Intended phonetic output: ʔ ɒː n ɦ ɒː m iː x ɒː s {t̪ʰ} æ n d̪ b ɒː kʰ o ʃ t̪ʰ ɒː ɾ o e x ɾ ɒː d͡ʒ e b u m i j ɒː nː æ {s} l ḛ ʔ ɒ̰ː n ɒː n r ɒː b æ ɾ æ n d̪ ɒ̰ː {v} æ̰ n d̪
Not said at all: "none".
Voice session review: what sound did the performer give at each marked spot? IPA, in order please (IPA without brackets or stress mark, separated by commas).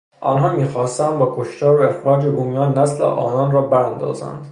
t̪, s, z